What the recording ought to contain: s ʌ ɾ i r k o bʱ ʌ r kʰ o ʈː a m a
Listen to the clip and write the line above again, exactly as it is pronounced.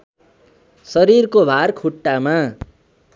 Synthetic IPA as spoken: s ʌ ɾ i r k o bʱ a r kʰ u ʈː a m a